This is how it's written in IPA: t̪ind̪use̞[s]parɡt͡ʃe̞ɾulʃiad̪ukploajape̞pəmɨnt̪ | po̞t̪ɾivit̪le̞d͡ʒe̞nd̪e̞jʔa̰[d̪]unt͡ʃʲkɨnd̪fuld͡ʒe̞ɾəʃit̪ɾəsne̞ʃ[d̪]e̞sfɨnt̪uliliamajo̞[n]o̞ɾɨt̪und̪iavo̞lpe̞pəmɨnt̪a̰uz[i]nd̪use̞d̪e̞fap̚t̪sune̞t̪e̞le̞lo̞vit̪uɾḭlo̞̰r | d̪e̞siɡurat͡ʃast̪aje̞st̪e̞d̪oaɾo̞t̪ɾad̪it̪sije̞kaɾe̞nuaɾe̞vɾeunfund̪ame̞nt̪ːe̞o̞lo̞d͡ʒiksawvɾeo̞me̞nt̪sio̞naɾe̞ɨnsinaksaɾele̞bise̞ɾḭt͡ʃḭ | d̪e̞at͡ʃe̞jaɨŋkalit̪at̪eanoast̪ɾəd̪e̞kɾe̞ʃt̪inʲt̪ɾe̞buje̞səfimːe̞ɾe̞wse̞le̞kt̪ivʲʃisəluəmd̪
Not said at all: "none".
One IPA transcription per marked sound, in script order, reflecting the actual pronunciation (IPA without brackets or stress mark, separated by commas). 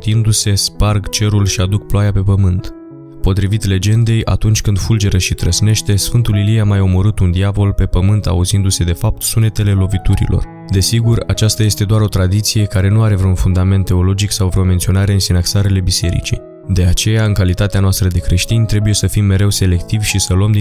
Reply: s, t̪, t̪, m, i